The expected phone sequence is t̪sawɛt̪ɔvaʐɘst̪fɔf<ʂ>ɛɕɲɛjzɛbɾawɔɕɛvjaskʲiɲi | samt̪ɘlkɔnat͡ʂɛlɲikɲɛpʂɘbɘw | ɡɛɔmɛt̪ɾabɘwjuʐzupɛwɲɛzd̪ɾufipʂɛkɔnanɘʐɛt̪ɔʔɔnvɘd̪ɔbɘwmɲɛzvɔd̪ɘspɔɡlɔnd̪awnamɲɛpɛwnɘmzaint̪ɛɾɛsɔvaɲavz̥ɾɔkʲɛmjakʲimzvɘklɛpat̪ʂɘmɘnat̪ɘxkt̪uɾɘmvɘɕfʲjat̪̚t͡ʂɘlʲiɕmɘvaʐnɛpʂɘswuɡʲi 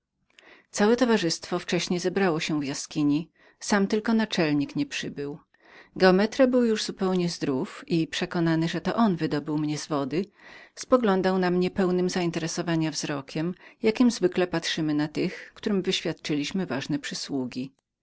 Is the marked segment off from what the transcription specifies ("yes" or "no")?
yes